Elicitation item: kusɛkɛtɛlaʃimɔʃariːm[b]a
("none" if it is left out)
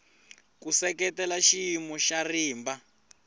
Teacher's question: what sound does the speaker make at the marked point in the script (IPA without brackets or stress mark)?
b